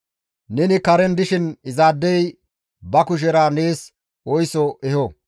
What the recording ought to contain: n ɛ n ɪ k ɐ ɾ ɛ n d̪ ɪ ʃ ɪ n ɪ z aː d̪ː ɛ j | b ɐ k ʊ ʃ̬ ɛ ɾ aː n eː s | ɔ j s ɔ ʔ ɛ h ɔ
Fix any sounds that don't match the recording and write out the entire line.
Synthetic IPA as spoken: n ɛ n ɪ k ɐ ɾ ɛ n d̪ ɪ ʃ ɪ n ɪ z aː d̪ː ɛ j | b ɐ k ʊ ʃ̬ ɛ ɾ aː n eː s | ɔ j s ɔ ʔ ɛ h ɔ